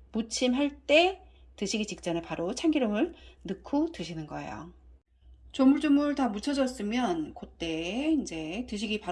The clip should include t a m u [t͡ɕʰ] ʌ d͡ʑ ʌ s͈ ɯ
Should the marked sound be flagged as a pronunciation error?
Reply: no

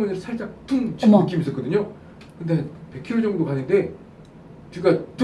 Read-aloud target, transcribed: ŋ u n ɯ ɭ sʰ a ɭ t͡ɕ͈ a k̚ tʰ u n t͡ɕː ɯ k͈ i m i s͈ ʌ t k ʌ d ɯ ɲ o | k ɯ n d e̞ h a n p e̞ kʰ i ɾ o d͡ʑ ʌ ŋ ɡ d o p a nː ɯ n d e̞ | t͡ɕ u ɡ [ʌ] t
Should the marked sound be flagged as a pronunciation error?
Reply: yes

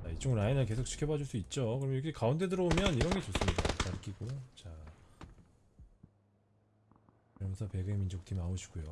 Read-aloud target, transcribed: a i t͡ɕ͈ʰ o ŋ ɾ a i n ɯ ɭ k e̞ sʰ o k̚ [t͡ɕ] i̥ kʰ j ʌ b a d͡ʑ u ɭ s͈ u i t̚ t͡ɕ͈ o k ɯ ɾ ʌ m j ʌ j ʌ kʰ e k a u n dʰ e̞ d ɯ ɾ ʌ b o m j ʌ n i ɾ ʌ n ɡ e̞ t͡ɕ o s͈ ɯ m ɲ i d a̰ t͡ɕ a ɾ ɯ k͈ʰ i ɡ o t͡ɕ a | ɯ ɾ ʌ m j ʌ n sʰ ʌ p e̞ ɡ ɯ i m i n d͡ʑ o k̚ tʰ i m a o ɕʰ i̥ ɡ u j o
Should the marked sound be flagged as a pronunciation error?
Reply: yes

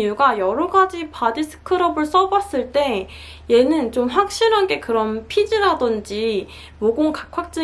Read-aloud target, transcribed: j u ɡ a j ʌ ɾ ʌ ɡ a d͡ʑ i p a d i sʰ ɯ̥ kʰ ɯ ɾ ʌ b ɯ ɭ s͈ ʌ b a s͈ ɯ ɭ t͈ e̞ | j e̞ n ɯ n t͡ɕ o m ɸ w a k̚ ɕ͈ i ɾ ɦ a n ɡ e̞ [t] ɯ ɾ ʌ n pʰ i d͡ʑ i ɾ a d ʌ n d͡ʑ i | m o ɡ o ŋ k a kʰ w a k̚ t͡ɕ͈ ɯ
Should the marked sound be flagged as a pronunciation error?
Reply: yes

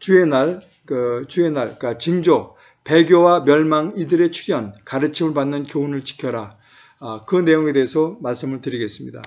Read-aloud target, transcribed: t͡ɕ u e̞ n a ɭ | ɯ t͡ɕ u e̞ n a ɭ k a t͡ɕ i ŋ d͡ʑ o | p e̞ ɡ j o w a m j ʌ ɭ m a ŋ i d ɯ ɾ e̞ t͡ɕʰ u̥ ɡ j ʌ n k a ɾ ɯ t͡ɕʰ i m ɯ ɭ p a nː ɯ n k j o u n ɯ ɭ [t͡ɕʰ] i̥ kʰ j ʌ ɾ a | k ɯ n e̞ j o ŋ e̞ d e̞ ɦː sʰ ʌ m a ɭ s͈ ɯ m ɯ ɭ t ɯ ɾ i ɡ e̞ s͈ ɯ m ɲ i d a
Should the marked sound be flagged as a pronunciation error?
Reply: yes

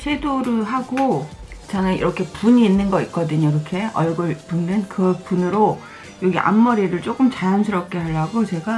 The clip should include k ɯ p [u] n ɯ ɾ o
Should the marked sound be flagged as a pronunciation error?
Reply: no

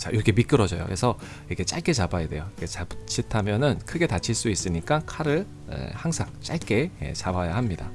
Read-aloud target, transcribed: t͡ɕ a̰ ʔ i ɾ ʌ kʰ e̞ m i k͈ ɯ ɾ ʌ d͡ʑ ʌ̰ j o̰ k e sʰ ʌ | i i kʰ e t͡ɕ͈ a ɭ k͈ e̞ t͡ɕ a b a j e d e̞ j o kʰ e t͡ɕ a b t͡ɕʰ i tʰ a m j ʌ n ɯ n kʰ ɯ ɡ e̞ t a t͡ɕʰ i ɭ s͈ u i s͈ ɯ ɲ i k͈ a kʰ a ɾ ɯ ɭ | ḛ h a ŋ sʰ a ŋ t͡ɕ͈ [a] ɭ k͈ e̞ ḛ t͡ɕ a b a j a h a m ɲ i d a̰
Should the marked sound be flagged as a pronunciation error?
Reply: no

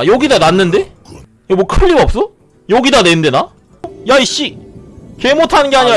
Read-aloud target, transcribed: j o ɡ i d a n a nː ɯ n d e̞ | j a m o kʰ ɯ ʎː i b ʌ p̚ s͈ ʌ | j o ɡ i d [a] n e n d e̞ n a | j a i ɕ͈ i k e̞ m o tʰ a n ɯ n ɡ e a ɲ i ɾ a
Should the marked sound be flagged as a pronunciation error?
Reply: no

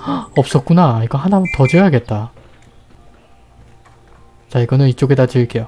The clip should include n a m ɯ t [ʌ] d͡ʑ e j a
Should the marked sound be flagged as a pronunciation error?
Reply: no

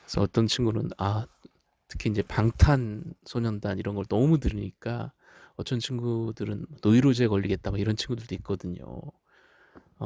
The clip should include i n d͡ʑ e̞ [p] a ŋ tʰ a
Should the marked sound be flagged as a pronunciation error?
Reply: no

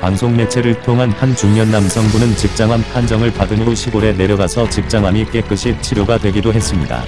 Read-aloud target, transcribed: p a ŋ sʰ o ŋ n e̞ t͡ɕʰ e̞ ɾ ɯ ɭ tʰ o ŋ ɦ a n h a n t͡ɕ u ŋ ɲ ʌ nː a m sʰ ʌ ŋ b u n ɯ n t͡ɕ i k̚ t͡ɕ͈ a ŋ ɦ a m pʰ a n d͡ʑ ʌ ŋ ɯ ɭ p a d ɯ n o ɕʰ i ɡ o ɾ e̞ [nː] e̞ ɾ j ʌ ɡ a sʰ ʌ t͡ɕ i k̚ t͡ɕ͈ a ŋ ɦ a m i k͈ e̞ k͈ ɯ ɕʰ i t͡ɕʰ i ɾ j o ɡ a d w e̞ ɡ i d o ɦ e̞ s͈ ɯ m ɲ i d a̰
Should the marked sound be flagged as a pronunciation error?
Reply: yes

